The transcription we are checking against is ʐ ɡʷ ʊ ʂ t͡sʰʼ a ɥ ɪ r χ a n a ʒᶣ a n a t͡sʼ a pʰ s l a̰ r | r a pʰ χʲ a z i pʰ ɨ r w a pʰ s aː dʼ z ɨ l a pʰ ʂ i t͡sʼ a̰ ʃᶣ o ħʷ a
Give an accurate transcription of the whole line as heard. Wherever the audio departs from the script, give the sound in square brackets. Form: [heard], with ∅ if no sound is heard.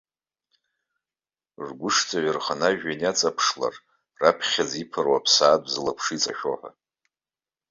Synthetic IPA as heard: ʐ ɡʷ ʊ ʂ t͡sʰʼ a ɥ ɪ r χ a n a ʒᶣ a n a t͡sʼ a pʰ [ʂ] l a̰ r | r a pʰ χʲ a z i pʰ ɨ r w a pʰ s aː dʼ z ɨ l a pʰ ʂ i t͡sʼ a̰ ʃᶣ o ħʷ a

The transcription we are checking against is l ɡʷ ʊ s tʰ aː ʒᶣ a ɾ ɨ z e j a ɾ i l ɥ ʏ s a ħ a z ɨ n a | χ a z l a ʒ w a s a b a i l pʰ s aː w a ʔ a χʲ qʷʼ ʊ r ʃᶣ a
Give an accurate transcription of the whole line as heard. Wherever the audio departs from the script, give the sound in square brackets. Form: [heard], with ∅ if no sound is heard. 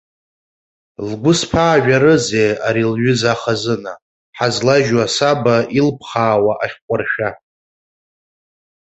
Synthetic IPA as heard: l ɡʷ ʊ s [pʰ] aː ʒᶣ a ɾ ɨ z e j a ɾ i l ɥ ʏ [z] a [χ] a z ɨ n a | [ħ] a z l a ʒ w a s a b a i l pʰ [χ] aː w a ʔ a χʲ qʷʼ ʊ r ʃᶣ a

